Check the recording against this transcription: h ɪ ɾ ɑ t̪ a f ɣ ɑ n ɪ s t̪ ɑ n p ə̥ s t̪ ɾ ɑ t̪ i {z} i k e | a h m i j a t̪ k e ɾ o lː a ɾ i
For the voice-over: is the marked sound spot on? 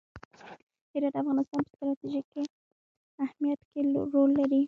no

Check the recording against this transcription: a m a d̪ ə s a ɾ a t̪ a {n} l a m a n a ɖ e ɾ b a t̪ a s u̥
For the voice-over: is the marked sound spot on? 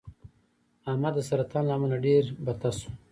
yes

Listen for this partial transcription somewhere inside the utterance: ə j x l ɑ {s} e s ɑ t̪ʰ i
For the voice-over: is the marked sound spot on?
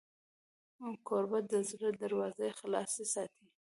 yes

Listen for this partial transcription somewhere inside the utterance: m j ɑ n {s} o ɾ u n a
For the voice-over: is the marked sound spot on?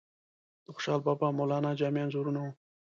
no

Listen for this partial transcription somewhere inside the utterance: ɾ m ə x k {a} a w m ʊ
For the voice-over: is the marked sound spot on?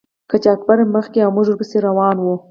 no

